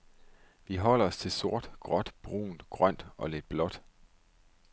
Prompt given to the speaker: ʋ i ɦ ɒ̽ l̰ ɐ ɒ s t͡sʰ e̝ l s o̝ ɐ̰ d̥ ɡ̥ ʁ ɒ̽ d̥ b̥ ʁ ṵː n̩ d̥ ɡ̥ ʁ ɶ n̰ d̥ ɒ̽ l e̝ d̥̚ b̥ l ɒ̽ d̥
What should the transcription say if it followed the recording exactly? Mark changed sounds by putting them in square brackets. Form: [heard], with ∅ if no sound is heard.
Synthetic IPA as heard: ʋ i ɦ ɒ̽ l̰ ɐ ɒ s t͡sʰ e̝ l s o̝ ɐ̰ d̥ ɡ̥ ʁ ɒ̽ d̥ b̥ ʁ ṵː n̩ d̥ ɡ̥ ʁ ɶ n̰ d̥ ɒ̽ l e̝ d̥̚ b̥ l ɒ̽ d̥